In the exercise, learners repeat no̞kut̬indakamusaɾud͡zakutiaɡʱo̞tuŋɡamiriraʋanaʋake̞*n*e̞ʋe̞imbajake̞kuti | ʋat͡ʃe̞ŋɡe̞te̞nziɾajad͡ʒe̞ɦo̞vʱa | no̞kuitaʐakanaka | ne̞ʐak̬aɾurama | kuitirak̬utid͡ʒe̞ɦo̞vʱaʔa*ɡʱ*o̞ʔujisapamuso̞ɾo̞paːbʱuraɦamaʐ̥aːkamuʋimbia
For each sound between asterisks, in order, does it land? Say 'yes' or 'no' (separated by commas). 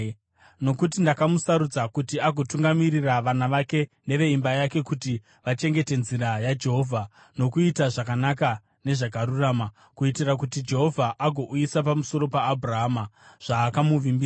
yes, yes